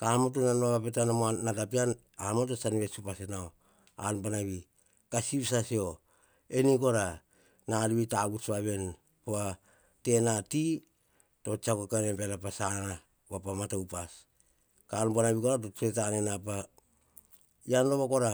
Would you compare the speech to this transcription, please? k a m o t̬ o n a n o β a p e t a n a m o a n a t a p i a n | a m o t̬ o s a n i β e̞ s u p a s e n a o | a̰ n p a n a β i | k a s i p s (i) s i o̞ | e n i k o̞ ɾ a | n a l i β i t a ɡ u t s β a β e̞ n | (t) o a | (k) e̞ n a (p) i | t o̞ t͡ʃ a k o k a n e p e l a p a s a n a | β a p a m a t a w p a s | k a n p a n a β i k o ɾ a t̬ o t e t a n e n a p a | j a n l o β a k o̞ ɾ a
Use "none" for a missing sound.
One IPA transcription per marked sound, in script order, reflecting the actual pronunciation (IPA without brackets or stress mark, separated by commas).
a, p, t, t